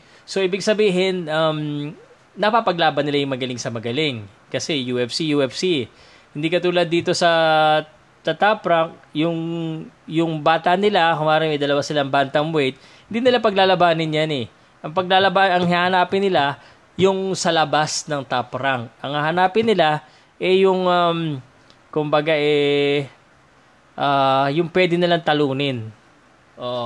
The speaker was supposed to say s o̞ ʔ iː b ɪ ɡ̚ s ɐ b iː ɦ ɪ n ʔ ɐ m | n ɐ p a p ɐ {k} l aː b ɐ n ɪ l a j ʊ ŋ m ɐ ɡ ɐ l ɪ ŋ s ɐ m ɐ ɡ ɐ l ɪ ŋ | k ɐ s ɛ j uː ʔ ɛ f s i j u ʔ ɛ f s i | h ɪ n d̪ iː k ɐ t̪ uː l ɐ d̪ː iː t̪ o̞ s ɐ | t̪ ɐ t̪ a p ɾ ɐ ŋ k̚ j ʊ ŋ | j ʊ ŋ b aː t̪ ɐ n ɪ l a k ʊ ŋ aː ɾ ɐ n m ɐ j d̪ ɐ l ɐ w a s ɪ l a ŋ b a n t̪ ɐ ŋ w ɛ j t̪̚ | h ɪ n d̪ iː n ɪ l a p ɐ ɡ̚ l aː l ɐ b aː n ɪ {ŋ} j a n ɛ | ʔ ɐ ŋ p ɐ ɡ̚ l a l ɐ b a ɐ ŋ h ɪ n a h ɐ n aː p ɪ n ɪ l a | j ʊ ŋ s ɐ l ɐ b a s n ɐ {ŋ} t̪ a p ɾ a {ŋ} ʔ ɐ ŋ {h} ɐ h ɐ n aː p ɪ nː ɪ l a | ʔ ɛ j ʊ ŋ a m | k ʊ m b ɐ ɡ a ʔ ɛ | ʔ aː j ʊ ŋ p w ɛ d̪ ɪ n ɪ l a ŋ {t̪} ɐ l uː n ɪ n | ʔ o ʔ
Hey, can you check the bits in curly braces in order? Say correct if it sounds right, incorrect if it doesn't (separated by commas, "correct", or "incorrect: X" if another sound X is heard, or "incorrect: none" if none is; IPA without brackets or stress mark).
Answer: incorrect: ɡ, incorrect: n, correct, correct, correct, correct